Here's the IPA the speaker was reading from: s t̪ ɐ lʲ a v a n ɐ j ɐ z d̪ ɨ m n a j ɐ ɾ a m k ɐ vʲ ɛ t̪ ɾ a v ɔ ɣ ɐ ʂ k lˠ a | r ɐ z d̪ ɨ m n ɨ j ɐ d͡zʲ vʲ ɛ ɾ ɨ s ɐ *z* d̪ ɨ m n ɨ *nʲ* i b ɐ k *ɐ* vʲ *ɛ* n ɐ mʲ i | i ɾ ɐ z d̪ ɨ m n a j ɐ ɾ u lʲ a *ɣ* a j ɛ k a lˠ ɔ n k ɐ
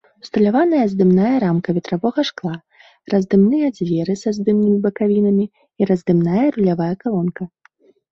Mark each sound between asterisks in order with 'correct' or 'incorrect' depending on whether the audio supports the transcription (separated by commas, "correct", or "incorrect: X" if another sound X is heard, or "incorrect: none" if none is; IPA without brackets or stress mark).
correct, incorrect: mʲ, incorrect: a, incorrect: i, incorrect: v